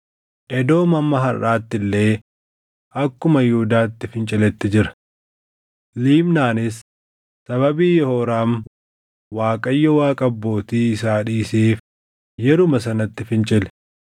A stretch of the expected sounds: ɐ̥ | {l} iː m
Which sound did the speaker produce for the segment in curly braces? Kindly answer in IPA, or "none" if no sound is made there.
l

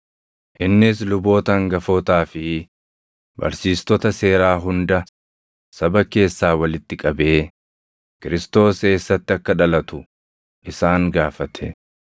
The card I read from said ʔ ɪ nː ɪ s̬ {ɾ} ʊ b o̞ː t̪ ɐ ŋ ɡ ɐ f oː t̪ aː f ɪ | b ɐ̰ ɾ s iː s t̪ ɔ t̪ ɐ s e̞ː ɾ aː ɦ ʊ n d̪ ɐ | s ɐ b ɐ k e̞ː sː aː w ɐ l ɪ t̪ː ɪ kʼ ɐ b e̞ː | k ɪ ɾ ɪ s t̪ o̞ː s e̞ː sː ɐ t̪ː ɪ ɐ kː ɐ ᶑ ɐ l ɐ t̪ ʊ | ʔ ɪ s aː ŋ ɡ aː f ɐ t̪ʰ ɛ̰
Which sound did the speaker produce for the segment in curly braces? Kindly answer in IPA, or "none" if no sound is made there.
l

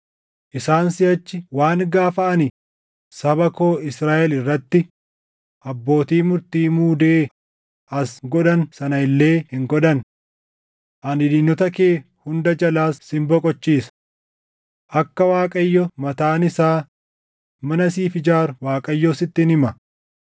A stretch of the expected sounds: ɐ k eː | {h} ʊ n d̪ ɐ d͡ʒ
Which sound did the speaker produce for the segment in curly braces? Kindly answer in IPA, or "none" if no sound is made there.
h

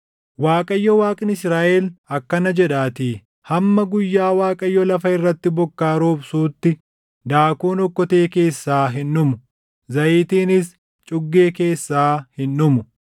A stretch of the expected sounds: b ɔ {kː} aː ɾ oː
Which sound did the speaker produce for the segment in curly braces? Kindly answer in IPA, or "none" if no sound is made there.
kː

